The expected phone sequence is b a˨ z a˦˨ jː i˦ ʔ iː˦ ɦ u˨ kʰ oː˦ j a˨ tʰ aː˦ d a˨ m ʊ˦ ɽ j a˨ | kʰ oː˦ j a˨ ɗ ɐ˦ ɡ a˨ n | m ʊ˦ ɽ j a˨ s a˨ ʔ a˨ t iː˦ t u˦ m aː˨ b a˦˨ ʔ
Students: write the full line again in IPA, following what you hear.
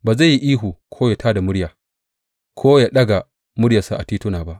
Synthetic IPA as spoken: b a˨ z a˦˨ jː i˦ ʔ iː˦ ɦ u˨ kʰ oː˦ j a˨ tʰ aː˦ d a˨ m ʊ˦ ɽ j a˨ | kʰ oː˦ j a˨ ɗ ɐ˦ ɡ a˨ | m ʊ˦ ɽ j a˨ s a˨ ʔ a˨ t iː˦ t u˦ n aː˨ b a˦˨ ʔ